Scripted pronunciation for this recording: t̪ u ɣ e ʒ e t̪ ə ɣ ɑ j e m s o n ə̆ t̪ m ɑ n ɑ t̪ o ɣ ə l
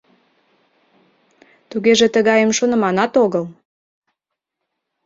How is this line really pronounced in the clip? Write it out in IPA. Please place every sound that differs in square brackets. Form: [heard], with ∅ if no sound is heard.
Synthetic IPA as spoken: t̪ u ɣ e ʒ e t̪ ə ɣ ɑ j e m [ʃ] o n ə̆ [∅] m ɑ n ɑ t̪ o ɣ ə l